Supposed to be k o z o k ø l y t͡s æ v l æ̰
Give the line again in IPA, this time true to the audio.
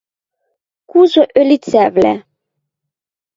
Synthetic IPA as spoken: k u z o ʔ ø l i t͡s æ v l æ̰

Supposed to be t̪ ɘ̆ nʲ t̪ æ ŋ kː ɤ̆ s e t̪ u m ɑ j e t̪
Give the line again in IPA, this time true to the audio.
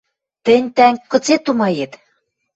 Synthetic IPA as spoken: t̪ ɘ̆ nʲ t̪ æ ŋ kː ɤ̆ t͡s e t̪ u m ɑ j e t̪

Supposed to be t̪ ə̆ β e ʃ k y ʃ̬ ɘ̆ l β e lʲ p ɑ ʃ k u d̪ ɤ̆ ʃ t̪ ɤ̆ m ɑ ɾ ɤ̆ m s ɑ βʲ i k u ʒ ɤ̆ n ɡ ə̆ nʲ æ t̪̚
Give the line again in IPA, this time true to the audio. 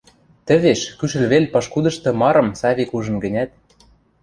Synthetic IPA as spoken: t̪ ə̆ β e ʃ k y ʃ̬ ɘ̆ l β e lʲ p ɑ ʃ k u d̪ ɤ̆ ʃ t̪ ɤ̆ m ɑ ɾ ɤ̆ m s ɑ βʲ i k u ʒ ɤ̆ n ɡ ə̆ nʲ æ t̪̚

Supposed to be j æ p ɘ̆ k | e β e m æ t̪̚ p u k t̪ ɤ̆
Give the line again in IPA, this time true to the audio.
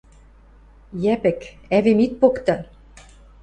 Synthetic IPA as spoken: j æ p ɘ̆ k | æ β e m i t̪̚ p o k t̪ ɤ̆

